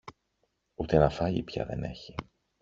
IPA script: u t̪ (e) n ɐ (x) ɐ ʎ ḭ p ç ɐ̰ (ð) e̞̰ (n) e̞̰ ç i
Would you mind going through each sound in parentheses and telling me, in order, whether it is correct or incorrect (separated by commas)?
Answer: correct, incorrect, correct, correct